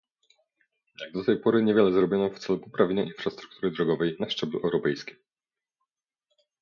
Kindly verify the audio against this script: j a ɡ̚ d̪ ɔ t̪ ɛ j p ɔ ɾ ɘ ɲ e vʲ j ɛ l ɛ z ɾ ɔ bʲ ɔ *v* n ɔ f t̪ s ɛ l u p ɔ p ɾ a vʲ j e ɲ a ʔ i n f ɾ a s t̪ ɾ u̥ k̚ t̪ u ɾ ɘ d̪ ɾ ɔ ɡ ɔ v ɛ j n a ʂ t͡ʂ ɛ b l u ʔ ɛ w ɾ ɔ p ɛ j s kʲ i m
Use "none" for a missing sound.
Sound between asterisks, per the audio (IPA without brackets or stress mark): none